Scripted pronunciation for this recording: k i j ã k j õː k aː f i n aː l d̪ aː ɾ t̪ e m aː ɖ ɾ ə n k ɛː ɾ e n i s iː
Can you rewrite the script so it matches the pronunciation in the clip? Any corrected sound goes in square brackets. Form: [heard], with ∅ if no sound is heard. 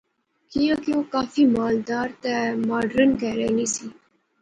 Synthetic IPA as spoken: k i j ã k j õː k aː f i [m] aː l d̪ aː ɾ t̪ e m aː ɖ ɾ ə n k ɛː ɾ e n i s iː